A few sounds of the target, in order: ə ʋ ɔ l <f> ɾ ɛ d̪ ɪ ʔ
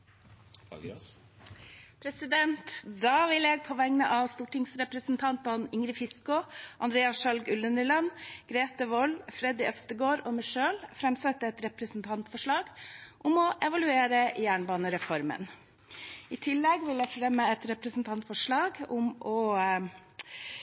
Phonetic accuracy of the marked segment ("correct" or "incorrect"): correct